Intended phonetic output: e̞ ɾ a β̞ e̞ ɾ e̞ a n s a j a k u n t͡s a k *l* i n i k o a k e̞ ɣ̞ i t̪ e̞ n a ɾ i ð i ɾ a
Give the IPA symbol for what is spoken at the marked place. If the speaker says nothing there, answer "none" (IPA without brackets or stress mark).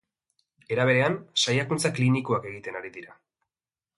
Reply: l